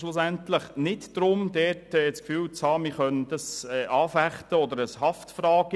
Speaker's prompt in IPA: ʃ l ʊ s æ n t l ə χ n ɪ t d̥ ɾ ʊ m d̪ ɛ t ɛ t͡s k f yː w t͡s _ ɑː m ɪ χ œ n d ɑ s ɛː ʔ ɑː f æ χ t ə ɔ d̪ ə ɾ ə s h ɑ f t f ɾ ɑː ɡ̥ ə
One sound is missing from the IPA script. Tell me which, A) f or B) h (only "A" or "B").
B